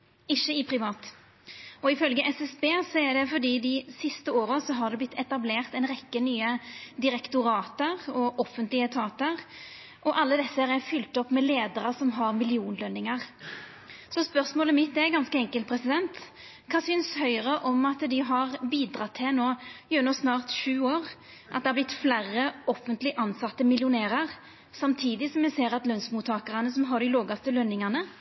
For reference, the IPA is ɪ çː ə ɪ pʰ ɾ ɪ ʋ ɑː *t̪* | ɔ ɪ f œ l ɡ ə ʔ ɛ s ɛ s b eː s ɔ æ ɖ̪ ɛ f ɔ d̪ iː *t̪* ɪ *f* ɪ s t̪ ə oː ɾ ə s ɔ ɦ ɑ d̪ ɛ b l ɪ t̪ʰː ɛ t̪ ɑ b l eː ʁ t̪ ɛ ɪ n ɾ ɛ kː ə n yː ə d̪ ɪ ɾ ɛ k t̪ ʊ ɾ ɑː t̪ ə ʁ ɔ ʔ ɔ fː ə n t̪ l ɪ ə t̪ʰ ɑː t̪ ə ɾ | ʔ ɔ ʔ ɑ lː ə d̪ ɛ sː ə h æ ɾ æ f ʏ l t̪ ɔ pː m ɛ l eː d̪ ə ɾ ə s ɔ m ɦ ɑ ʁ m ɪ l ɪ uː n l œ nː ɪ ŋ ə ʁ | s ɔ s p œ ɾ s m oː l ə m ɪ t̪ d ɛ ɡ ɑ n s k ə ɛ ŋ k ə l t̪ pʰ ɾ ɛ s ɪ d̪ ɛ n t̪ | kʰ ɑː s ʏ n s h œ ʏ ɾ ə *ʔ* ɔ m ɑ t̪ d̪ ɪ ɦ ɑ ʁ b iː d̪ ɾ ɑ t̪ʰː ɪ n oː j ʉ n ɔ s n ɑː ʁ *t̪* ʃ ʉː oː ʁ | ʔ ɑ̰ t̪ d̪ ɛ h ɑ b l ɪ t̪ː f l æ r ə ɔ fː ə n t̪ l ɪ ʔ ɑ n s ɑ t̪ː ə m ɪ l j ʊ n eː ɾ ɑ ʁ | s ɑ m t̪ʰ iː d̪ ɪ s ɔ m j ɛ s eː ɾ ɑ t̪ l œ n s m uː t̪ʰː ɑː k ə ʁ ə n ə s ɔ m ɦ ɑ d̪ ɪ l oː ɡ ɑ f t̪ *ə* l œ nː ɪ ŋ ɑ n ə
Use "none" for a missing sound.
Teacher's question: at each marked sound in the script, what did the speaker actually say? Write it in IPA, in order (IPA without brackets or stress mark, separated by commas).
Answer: t̪, d̪, s, ʔ, t̪, ə